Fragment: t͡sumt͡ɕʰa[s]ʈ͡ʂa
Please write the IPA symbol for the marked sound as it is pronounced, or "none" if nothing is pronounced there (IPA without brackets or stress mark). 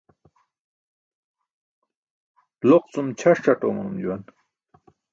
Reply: ʂ